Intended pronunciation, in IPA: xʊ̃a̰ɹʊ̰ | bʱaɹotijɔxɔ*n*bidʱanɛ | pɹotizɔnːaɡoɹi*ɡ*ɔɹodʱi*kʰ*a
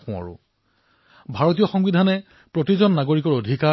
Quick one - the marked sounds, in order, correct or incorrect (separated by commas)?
incorrect, incorrect, incorrect